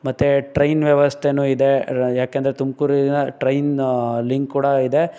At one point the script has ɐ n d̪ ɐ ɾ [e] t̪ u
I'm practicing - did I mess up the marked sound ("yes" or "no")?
no